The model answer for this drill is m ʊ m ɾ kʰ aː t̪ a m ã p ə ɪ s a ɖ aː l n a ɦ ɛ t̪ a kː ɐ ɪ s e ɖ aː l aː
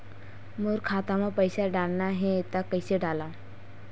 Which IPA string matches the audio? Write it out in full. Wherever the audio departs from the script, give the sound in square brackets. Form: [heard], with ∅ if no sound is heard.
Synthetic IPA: m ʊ [∅] ɾ kʰ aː t̪ a m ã p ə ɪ s a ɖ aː l n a ɦ ɛ t̪ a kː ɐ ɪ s e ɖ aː l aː

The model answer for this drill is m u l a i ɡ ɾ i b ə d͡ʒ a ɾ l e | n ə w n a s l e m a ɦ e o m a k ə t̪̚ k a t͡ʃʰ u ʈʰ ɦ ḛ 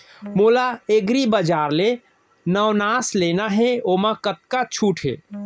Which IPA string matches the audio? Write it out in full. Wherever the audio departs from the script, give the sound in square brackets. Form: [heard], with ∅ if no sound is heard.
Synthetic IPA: m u l a [e] ɡ ɾ i b ə d͡ʒ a ɾ l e | n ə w n a s l e [n] a ɦ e o m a k ə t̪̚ k a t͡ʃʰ u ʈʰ ɦ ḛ

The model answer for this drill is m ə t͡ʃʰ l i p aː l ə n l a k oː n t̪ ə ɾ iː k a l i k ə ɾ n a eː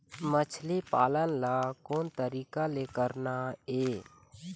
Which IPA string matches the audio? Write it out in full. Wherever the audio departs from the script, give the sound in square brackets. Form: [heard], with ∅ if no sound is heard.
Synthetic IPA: m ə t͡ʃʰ l i p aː l ə n l a k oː n t̪ ə ɾ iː k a l [e] k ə ɾ n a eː

